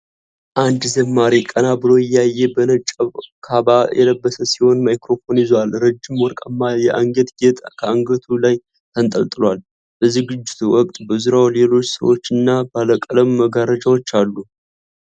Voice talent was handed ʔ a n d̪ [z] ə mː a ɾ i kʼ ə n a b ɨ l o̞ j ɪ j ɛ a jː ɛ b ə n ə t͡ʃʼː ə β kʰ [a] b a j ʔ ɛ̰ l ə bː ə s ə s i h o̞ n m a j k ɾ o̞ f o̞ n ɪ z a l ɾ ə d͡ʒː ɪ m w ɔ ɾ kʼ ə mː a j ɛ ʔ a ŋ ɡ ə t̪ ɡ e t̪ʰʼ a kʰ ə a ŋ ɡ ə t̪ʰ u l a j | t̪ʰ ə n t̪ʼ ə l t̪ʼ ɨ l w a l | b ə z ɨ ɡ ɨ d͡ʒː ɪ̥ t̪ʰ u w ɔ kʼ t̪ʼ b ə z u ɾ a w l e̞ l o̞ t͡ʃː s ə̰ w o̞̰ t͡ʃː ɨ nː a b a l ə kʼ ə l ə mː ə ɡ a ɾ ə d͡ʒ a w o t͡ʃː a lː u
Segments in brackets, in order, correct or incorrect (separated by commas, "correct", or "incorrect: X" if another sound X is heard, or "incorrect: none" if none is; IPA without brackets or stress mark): correct, correct